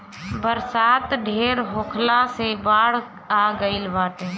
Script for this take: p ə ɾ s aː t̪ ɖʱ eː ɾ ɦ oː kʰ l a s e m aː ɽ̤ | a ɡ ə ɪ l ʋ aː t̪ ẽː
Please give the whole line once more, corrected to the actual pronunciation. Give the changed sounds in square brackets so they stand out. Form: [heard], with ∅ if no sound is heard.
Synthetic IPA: [b] ə ɾ s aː t̪ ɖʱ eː ɾ ɦ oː kʰ l a s e [b] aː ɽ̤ | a ɡ ə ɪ l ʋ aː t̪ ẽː